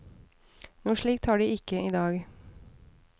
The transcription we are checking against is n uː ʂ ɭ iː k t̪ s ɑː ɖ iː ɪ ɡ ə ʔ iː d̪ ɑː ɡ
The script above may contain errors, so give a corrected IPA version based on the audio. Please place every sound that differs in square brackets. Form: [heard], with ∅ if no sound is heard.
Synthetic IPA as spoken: n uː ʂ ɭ iː k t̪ [h] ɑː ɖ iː ɪ [k] ə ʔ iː d̪ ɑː ɡ